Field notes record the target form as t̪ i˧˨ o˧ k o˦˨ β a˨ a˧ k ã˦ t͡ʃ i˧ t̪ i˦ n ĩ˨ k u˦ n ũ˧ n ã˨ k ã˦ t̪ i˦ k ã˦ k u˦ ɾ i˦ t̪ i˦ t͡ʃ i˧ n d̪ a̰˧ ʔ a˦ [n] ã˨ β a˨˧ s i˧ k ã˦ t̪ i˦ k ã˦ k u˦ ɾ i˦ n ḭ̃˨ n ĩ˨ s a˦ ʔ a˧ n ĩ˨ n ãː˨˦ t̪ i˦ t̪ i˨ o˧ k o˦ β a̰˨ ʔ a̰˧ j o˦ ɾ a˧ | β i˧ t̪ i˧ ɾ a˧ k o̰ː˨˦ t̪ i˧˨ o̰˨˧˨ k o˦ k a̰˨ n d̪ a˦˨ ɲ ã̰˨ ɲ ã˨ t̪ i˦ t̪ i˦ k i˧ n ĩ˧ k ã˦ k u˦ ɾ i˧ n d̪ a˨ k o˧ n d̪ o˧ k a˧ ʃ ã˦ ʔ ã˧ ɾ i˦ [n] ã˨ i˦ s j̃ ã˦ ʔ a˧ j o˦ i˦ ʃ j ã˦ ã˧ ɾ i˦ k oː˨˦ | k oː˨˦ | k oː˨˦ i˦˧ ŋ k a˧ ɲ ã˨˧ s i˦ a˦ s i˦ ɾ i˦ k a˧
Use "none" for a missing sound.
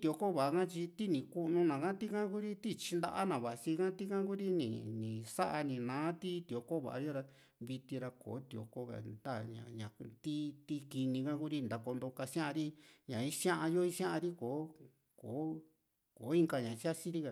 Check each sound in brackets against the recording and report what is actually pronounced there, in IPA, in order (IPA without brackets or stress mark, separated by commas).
n, ɲ